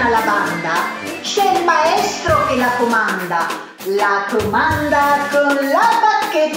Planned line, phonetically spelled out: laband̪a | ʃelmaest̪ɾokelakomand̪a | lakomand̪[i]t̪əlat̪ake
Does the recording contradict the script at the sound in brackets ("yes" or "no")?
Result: yes